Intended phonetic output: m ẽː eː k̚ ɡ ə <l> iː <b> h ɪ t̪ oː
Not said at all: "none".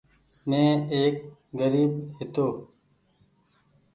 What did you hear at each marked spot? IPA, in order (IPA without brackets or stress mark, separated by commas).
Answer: ɾ, b